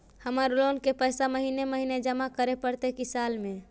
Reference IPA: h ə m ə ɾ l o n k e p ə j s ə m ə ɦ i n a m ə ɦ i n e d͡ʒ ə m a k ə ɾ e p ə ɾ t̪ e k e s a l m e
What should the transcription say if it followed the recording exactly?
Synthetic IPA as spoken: h ə m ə ɾ l o n k e p ə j s a m ə ɦ i n e m ə ɦ i n e d͡ʒ ə m a k ə ɾ e p ə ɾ t̪ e k i s a l m e